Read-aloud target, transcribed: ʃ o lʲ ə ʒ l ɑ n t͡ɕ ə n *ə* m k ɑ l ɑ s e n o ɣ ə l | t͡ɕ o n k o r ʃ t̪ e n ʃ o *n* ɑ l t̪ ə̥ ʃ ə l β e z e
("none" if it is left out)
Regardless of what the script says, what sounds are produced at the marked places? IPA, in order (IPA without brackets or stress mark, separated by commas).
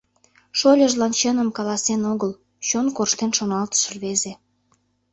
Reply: ə, n